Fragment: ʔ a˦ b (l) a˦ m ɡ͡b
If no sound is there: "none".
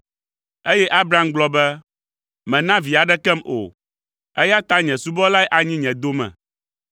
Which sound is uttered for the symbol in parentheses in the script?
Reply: ɾ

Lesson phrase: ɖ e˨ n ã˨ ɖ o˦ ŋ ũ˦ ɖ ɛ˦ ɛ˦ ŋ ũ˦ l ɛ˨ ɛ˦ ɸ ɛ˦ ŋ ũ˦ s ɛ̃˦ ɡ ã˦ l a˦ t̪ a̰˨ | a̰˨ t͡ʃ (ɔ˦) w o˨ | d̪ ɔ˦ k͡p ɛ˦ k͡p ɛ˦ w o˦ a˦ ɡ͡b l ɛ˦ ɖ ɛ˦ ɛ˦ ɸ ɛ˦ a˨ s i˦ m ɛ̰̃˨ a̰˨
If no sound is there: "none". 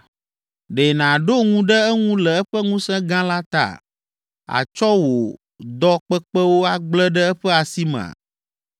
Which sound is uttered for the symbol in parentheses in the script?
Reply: ɔ˦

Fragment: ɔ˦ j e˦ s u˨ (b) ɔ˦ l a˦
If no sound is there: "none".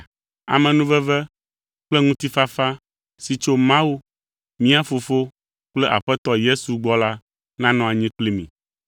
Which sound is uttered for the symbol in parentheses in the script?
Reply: ɡ͡b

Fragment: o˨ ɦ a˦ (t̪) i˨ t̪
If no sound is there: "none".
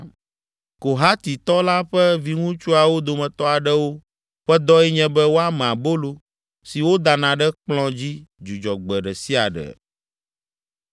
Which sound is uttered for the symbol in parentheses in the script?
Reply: t̪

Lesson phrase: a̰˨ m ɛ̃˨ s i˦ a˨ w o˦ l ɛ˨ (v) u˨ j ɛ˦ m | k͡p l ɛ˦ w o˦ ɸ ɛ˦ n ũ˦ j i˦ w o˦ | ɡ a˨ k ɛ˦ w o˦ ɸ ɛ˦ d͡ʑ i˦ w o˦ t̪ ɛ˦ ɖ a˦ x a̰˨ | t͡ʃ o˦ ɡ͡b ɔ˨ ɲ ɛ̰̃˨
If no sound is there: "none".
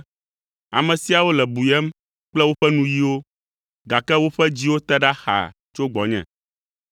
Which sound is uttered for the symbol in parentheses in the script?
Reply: b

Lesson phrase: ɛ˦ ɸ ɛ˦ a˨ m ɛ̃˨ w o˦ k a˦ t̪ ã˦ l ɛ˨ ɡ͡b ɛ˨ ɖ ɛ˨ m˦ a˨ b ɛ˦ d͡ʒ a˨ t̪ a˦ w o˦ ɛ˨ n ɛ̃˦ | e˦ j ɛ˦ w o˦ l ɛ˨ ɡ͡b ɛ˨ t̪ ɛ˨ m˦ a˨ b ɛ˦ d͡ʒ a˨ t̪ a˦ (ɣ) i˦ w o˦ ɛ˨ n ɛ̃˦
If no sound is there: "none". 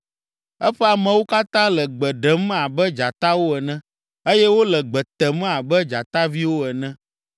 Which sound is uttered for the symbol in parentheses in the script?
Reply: v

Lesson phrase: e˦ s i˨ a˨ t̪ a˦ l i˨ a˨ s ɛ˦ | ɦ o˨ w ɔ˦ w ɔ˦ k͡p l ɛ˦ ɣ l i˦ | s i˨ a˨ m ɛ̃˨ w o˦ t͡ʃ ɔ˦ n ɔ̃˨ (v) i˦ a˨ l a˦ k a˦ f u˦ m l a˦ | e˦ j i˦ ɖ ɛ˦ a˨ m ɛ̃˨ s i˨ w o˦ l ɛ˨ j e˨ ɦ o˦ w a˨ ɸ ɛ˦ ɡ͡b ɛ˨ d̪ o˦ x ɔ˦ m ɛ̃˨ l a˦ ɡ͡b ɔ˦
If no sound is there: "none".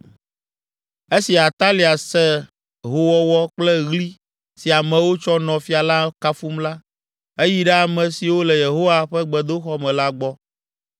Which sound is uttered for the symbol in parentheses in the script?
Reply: f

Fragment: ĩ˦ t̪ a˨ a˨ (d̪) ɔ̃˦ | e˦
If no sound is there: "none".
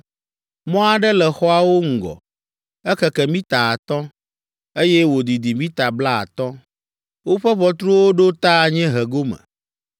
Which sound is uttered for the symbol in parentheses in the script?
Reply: t̪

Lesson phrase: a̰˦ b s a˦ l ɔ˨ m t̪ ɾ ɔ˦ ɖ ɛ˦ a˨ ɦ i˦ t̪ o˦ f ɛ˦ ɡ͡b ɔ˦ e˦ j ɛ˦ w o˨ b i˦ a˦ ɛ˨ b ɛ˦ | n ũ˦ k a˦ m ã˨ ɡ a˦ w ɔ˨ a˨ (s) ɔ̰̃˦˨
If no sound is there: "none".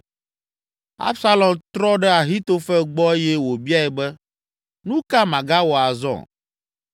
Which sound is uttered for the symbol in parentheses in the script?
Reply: z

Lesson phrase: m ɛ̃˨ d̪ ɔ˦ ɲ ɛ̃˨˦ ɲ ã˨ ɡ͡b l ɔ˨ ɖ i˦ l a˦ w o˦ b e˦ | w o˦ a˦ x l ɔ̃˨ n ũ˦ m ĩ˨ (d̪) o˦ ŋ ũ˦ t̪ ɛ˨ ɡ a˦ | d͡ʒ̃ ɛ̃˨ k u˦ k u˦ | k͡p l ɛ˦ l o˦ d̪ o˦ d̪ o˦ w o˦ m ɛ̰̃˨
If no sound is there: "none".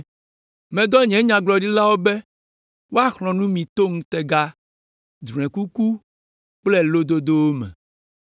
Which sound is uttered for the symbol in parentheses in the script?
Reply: t̪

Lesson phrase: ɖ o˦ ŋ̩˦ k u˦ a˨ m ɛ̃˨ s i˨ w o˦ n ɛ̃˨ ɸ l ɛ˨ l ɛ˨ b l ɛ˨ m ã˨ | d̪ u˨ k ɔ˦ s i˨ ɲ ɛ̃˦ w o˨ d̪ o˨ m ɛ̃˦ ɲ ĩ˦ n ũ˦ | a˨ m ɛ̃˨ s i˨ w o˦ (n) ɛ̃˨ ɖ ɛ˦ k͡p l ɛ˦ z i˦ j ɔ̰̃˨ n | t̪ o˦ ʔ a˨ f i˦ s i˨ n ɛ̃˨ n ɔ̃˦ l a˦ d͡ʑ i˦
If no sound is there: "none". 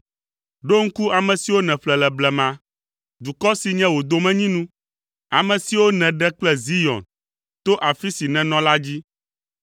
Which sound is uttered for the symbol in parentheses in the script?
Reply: n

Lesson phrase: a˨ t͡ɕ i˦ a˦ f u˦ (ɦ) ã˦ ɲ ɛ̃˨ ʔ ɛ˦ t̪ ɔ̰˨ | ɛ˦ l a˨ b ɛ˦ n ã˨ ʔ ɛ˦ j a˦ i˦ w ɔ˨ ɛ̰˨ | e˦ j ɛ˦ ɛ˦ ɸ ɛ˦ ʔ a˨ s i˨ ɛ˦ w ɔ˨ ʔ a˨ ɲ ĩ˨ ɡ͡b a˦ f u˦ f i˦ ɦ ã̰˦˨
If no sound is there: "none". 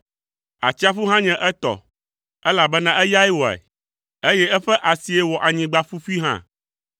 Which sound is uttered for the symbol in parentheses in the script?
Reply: ɦ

